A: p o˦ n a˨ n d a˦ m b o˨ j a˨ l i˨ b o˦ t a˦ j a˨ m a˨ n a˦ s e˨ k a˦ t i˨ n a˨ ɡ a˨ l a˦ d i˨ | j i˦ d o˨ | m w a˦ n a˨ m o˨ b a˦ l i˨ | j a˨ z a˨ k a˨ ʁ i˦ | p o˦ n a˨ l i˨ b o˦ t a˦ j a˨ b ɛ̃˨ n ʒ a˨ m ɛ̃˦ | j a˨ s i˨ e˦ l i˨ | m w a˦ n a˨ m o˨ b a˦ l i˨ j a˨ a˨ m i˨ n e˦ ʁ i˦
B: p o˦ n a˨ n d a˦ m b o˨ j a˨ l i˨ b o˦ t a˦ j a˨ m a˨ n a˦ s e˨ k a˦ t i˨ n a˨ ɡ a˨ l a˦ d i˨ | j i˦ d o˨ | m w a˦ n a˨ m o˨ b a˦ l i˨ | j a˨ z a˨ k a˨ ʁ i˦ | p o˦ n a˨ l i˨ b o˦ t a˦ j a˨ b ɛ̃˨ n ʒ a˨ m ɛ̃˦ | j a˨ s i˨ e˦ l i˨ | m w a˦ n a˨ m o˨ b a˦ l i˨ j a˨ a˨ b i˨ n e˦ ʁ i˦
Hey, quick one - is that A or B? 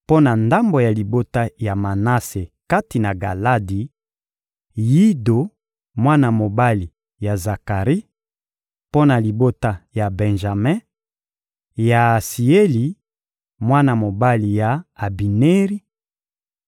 B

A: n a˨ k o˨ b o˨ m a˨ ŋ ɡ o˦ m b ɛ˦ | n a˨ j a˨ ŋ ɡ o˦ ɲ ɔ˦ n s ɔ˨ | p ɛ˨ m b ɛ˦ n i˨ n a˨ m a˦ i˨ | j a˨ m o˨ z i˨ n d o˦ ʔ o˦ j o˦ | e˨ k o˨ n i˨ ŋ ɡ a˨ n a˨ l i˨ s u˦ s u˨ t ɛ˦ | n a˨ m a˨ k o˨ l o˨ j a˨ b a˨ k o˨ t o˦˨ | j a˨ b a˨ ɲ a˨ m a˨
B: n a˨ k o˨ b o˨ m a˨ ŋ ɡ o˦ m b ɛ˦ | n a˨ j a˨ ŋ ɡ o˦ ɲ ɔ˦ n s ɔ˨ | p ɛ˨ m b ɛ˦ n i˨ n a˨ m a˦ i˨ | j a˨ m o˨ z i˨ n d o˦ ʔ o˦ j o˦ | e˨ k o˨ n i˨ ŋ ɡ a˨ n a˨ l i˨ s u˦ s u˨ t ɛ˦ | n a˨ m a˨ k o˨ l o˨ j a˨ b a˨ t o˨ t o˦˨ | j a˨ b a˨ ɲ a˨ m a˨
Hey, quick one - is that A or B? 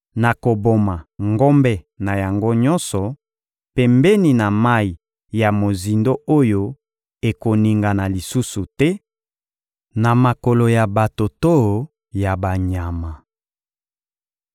B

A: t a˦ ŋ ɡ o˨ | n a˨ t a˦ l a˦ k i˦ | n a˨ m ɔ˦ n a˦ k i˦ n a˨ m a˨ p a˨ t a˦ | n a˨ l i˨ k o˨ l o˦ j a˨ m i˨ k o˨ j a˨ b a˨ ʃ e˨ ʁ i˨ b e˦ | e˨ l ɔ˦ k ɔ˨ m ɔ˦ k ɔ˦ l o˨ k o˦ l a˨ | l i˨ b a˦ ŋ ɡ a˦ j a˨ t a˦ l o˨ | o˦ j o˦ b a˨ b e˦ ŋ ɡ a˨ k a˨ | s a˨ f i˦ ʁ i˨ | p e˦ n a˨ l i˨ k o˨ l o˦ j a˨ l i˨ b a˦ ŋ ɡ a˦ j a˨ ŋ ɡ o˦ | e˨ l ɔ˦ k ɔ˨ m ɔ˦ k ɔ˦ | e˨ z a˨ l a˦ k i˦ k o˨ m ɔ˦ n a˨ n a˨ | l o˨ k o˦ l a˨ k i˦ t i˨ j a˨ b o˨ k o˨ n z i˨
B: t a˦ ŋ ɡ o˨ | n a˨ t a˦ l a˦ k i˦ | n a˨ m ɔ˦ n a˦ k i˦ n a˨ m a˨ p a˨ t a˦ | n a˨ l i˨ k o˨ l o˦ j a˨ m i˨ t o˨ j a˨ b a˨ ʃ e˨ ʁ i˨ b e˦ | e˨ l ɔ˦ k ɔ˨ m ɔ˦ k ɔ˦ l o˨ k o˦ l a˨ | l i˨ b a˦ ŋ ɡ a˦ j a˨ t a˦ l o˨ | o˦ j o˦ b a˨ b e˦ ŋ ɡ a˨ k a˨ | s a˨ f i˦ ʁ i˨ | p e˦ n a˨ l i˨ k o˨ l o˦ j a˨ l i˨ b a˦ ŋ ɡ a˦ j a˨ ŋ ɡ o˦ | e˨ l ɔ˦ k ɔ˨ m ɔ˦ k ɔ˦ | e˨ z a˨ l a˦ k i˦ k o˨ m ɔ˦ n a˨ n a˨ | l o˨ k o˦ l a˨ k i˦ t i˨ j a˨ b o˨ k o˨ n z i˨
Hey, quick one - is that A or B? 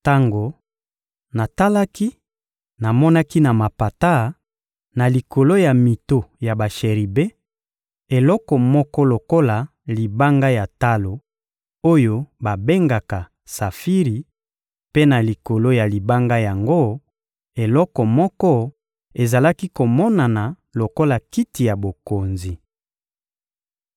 B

